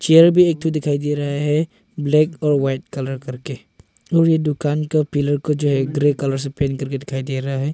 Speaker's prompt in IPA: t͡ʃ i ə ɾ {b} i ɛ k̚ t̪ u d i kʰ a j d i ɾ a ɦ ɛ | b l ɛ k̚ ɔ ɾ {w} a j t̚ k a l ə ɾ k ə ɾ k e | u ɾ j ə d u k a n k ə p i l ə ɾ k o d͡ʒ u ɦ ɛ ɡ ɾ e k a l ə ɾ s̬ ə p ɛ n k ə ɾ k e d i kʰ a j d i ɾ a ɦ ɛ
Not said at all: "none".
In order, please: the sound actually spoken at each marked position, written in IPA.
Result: b, w

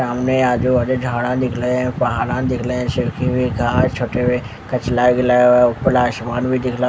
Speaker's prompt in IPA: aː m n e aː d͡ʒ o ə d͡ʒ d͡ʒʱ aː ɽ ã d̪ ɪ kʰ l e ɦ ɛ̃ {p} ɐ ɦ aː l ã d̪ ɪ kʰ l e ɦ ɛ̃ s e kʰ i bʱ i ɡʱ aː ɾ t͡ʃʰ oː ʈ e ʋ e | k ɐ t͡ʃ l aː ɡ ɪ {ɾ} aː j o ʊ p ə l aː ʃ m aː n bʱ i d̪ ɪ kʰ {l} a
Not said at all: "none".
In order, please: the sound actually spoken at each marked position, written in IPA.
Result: p, l, l

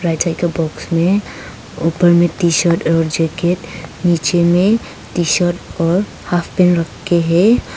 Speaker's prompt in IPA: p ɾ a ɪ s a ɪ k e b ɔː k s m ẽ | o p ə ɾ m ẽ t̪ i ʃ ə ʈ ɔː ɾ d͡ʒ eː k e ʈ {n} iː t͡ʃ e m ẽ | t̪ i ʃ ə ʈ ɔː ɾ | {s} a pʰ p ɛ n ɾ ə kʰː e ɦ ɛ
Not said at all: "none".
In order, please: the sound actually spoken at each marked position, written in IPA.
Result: n, h

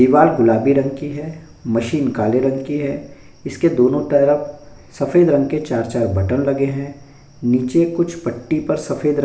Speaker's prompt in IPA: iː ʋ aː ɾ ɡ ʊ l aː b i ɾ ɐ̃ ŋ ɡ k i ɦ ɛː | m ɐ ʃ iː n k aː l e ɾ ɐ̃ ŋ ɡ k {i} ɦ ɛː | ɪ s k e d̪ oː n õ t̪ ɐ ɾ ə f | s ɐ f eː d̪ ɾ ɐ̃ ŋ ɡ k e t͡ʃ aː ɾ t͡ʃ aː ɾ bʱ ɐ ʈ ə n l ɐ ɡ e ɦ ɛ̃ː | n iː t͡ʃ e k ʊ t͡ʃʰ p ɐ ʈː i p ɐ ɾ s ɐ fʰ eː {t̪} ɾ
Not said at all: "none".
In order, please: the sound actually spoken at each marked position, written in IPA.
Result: i, d̪

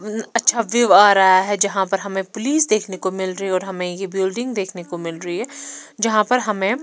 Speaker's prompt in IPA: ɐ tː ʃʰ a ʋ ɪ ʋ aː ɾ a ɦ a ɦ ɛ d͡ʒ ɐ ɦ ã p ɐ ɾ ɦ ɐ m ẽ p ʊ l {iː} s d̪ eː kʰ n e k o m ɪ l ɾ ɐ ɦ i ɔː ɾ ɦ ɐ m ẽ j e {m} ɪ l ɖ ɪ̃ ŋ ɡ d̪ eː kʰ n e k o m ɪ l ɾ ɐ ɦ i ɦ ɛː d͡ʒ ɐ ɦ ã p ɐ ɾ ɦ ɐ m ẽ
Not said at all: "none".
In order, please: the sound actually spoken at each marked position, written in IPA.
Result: iː, b

